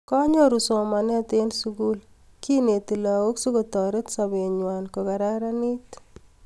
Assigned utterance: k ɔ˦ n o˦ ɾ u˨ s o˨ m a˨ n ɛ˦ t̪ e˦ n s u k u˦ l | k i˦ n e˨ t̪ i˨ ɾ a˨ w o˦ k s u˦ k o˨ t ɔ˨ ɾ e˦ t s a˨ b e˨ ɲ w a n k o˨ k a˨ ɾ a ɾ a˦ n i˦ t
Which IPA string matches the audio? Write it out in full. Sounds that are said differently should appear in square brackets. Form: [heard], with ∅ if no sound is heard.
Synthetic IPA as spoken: k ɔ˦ [ɲ] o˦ ɾ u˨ s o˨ m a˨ n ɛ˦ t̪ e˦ n s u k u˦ l | k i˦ n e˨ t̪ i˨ [l] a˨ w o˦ k s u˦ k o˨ t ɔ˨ ɾ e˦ t s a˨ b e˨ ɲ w a n k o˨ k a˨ ɾ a ɾ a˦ n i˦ t